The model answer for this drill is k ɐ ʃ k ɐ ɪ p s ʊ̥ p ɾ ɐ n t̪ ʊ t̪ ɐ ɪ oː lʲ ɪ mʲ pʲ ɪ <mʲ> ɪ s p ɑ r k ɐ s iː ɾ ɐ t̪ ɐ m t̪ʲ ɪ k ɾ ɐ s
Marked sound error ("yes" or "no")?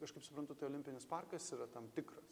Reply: yes